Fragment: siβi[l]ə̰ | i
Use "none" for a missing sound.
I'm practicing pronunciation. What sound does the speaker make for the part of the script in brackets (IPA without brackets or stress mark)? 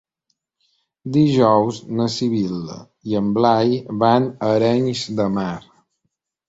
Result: l